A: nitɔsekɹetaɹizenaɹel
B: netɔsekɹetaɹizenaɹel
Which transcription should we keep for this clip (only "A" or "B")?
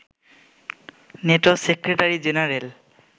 B